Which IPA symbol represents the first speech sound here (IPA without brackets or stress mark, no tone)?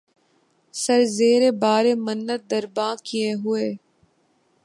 s